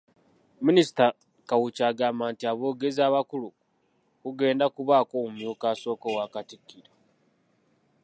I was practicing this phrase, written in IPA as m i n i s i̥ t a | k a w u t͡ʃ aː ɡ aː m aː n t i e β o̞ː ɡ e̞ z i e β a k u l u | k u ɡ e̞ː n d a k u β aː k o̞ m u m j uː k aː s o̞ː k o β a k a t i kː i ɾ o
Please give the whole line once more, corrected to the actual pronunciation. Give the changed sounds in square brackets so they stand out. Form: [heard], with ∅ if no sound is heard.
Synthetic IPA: m i n i s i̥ t a | k a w u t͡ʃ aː ɡ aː m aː n t i [a] β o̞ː ɡ e̞ z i [a] β a k u l u | k u ɡ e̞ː n d a k u β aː k o̞ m u m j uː k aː s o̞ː k o [w] a k a t i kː i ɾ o